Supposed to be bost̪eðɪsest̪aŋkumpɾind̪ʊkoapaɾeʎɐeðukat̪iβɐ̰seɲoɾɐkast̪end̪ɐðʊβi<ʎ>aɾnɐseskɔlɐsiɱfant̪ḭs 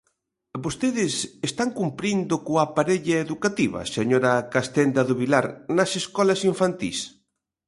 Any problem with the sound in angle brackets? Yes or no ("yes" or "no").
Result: yes